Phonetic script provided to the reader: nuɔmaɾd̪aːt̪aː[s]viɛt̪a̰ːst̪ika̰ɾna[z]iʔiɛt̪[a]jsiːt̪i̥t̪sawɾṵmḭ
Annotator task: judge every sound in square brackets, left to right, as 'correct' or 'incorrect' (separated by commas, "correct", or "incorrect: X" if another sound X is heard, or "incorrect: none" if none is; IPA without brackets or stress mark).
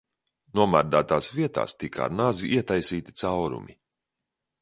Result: correct, correct, correct